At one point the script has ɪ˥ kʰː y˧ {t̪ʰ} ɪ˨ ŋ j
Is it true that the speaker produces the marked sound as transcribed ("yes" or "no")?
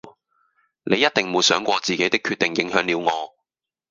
no